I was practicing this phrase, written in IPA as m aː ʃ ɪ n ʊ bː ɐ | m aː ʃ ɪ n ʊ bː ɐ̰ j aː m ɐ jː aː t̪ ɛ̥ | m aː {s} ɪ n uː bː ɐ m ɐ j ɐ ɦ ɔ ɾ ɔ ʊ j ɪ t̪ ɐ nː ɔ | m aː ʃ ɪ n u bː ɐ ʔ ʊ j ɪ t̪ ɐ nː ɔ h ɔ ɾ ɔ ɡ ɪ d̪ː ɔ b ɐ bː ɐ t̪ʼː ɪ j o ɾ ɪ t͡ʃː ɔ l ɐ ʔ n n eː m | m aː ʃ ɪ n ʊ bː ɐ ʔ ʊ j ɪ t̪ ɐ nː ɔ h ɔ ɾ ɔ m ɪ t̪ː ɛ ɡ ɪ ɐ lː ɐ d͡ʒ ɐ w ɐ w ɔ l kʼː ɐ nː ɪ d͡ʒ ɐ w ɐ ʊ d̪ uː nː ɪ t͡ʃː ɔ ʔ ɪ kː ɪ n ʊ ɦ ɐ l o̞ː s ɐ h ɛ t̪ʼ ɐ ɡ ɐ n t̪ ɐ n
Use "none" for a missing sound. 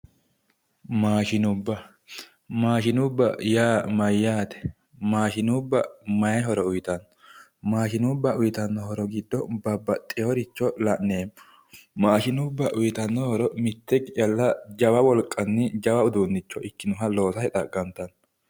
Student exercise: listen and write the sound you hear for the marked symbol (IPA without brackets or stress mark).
ʃ